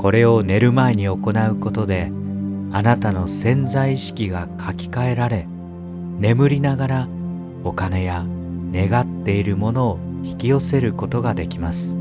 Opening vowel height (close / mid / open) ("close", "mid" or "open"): mid